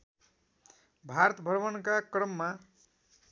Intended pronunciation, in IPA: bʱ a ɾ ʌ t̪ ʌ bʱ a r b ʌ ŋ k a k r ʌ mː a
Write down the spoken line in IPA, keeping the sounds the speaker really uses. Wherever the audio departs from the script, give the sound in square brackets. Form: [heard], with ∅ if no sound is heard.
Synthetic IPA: bʱ a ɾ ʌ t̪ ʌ bʱ [ʌ] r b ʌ [n] k a k r ʌ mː a